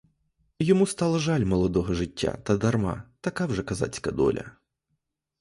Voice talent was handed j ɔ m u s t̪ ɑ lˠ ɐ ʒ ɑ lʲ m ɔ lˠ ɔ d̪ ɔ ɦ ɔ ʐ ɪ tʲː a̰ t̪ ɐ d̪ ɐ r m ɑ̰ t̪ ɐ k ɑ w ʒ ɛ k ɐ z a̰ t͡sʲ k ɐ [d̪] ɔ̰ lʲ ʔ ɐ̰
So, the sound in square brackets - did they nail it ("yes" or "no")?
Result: yes